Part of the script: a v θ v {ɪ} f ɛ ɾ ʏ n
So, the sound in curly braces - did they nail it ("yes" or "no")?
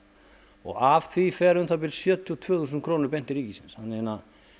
no